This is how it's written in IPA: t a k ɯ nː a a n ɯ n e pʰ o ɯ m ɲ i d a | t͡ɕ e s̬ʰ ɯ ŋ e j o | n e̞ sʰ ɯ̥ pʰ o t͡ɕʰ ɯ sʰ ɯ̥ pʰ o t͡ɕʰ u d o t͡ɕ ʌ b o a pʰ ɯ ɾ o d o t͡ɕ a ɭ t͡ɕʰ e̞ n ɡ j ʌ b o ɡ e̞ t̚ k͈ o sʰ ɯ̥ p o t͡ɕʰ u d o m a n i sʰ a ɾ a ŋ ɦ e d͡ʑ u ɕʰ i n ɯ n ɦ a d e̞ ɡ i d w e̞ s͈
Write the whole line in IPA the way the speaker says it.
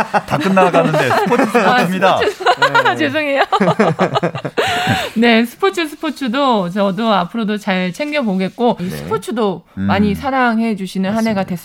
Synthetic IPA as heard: t a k ɯ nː a a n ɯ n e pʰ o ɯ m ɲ i d a | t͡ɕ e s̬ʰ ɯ ŋ e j o | n e̞ sʰ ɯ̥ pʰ o t͡ɕʰ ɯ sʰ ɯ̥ pʰ o t͡ɕʰ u d o t͡ɕ ʌ d o a pʰ ɯ ɾ o d o t͡ɕ a ɭ t͡ɕʰ e̞ ŋ ɡ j ʌ b o ɡ e̞ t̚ k͈ o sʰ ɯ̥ pʰ o t͡ɕʰ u d o m a ɲ i sʰ a ɾ a ŋ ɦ e d͡ʑ u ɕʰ i n ɯ n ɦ a n e̞ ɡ a d w e̞ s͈